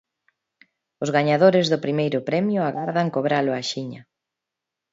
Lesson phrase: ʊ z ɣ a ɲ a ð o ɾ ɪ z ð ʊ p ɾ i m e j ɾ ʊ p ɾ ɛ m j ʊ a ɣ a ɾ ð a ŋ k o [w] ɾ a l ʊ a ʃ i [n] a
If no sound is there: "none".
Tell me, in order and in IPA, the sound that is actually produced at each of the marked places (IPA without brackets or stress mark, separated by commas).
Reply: β, ɲ